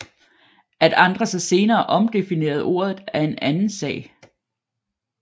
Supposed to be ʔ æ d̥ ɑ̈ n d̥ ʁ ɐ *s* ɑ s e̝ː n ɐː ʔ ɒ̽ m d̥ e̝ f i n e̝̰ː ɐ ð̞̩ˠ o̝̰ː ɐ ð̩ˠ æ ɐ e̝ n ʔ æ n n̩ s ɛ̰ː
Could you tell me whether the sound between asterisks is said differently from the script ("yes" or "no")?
no